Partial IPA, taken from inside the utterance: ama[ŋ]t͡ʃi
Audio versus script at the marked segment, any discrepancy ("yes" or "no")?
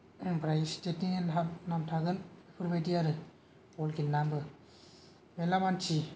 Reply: yes